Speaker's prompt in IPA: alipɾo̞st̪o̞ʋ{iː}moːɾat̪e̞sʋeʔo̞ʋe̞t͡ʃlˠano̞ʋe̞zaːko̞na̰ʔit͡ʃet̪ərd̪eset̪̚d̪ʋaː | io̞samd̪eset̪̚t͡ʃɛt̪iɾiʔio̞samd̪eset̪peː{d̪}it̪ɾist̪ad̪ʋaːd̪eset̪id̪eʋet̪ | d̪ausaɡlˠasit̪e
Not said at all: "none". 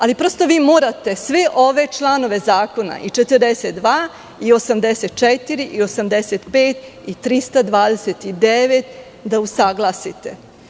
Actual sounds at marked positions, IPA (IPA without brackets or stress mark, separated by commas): iː, t̪